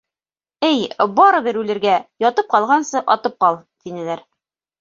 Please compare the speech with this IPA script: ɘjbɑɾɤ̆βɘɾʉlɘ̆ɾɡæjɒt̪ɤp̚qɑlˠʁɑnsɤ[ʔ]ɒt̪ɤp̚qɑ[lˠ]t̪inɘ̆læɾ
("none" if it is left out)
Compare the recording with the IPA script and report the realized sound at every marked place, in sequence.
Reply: ʔ, lˠ

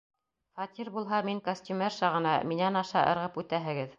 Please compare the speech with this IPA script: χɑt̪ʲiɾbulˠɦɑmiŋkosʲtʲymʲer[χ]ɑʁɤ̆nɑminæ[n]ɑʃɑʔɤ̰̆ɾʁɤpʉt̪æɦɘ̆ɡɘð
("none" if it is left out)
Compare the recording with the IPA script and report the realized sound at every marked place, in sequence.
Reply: ʃ, n

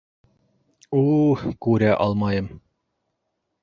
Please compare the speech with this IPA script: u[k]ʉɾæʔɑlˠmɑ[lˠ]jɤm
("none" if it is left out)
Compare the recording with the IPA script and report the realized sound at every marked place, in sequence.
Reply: k, none

